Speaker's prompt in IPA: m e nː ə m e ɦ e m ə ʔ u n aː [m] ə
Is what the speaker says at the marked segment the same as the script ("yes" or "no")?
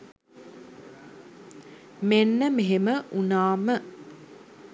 yes